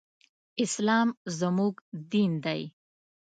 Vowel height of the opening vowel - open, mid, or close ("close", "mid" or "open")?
close